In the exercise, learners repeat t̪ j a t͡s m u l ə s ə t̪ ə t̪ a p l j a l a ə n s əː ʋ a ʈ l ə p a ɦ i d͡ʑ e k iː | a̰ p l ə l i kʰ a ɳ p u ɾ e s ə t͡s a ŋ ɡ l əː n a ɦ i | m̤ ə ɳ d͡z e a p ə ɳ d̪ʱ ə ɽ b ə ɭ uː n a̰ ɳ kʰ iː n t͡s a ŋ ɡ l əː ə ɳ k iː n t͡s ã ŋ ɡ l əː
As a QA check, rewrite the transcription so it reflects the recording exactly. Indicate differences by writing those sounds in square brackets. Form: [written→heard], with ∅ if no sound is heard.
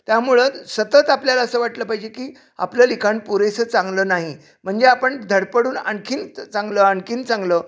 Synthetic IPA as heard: t̪ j a [t͡s→∅] m u [l→ɭ] ə s ə t̪ ə t̪ a p l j a l a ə [n→∅] s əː ʋ a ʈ l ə p a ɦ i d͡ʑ e k iː | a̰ p l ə l i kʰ a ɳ p u ɾ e s ə t͡s a ŋ ɡ l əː n a ɦ i | m̤ ə ɳ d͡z e a p ə ɳ d̪ʱ ə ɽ [b→p] ə [ɭ→ɽ] uː n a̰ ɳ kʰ iː n t͡s a ŋ ɡ l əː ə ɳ k iː n t͡s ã ŋ ɡ l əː